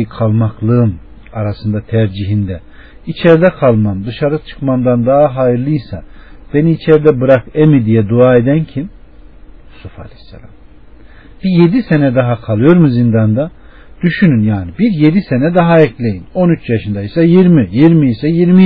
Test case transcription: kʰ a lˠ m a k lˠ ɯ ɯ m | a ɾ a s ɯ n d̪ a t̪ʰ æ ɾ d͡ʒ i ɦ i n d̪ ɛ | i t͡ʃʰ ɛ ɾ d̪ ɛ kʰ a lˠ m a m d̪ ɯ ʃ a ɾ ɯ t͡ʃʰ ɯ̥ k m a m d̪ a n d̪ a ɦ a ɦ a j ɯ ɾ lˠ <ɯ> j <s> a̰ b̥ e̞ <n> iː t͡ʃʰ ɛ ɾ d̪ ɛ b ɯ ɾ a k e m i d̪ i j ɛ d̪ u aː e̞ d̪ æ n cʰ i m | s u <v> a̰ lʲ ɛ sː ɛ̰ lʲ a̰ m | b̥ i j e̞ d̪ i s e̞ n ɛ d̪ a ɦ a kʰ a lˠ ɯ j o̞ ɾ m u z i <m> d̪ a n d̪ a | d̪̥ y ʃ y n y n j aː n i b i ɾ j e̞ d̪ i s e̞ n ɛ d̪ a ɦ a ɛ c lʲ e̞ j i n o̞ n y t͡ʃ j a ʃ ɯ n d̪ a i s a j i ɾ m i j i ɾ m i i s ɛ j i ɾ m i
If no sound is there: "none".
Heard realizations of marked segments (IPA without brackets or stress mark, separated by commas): ɯ, s, n, f, n